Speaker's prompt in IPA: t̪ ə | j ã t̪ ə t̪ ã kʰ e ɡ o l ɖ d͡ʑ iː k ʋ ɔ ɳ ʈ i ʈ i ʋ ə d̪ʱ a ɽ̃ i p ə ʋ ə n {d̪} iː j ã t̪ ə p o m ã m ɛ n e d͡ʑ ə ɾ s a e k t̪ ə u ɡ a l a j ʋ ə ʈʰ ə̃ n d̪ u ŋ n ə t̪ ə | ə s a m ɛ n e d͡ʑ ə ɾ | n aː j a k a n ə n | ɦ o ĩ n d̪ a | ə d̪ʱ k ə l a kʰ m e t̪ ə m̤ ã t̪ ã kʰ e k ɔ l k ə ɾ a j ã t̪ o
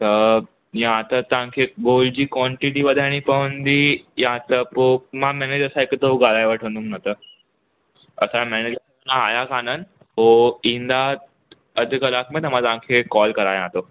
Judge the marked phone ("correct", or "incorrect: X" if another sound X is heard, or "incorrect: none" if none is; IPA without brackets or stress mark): correct